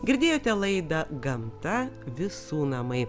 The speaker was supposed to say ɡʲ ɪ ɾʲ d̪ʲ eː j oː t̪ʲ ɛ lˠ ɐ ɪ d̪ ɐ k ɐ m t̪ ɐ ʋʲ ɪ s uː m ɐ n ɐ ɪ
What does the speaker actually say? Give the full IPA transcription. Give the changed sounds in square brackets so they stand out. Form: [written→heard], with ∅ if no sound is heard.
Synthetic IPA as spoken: ɡʲ ɪ ɾʲ d̪ʲ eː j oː t̪ʲ ɛ lˠ ɐ ɪ d̪ ɐ [k→ɡ] ɐ m t̪ ɐ ʋʲ ɪ s uː [m→n] ɐ [n→m] ɐ ɪ

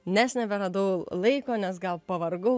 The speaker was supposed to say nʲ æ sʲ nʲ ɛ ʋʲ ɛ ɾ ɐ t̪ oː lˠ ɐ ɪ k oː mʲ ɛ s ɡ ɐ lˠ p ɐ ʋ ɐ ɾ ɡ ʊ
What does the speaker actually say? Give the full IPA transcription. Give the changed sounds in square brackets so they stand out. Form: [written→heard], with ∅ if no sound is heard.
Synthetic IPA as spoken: nʲ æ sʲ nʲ ɛ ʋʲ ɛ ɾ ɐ [t̪→d̪] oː lˠ ɐ ɪ k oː [mʲ→nʲ] ɛ s ɡ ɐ lˠ p ɐ ʋ ɐ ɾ ɡ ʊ

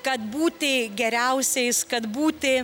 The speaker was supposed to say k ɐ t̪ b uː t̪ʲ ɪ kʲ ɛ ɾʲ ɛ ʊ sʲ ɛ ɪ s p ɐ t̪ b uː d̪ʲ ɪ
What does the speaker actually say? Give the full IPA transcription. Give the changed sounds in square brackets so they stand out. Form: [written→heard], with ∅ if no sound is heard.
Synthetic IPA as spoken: k ɐ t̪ b uː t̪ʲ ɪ [kʲ→ɡʲ] ɛ ɾʲ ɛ ʊ sʲ ɛ ɪ s [p→k] ɐ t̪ b uː [d̪ʲ→t̪ʲ] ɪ

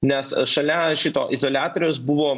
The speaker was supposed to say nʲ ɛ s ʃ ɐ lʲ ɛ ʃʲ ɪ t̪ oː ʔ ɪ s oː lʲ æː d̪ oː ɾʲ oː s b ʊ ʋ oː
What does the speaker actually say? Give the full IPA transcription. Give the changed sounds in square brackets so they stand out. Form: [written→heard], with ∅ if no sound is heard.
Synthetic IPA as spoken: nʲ ɛ s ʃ ɐ lʲ ɛ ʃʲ ɪ t̪ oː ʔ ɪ [s→z] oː lʲ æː [d̪→t̪] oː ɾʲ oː s b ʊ ʋ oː

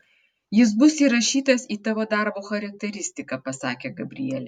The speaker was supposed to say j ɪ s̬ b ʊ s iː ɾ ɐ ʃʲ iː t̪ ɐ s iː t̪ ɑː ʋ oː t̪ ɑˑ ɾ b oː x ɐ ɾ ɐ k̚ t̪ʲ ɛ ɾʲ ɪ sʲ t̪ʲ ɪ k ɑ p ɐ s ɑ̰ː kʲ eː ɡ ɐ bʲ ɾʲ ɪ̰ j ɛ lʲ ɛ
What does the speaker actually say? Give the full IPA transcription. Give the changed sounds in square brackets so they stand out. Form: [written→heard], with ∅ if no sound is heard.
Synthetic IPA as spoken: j ɪ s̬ b ʊ s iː ɾ ɐ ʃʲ iː t̪ ɐ s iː t̪ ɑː ʋ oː [t̪→d̪] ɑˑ ɾ b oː x ɐ ɾ ɐ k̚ t̪ʲ ɛ ɾʲ ɪ sʲ t̪ʲ ɪ k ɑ p ɐ s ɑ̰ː kʲ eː ɡ ɐ bʲ ɾʲ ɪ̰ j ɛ lʲ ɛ

